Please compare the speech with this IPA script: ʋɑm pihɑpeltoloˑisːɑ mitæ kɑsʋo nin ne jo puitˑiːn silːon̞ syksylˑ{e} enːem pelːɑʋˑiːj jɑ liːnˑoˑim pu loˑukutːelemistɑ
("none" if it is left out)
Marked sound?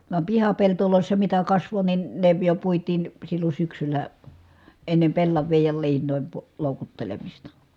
æ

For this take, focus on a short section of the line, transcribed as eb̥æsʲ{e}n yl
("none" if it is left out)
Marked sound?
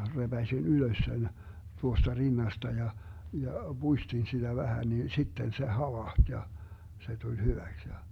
i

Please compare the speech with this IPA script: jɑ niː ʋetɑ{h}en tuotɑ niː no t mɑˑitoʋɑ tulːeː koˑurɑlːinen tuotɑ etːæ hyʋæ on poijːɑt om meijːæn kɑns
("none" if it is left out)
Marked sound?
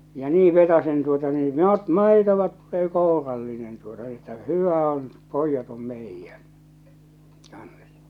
s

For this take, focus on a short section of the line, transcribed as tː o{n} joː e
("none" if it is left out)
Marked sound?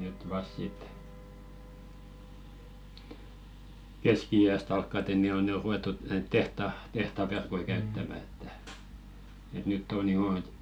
n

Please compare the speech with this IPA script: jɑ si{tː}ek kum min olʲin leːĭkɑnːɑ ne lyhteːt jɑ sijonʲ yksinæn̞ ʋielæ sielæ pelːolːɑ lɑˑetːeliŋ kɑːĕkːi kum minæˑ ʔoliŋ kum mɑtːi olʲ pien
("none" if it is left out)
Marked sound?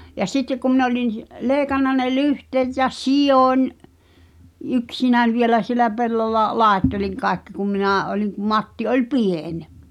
tː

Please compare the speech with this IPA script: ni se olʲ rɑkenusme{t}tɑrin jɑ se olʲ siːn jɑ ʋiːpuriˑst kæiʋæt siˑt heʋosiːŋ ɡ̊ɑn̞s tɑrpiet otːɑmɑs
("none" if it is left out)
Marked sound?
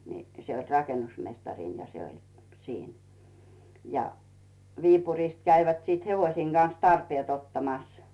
s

